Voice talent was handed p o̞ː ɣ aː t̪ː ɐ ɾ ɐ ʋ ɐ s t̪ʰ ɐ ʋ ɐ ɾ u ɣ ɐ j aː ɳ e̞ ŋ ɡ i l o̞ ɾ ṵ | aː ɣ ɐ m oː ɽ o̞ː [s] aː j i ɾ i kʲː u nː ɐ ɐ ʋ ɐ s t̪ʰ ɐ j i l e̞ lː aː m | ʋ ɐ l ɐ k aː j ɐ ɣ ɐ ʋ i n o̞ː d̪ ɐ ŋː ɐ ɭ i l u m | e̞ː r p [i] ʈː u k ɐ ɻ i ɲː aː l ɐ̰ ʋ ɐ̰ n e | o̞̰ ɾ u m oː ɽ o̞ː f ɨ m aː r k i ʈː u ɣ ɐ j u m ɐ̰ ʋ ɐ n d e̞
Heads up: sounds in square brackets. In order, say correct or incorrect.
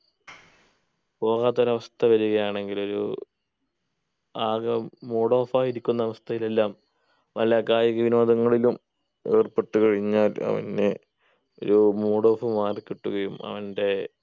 incorrect: f, incorrect: e

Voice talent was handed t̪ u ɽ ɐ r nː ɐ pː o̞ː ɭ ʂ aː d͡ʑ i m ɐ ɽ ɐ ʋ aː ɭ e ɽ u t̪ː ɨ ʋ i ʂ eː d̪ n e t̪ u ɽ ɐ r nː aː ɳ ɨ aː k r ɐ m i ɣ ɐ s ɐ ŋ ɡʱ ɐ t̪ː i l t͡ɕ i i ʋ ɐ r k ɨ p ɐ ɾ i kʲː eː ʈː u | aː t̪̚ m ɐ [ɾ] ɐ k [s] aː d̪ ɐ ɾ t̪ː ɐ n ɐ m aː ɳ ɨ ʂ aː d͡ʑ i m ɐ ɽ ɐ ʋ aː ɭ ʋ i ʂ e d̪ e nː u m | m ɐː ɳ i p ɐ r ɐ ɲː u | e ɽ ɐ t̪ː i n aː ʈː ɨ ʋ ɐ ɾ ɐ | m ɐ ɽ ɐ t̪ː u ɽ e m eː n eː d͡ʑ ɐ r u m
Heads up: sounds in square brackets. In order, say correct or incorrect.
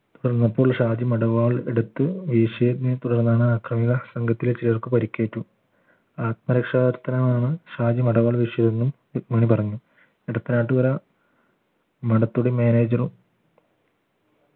correct, incorrect: ʂ

